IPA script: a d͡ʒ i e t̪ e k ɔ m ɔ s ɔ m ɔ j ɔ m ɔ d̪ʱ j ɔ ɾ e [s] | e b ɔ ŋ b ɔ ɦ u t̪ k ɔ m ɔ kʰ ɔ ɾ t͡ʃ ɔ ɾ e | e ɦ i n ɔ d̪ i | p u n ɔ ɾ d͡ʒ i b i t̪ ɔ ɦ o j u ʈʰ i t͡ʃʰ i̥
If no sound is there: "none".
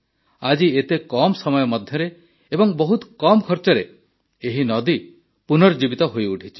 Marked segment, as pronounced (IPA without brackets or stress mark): none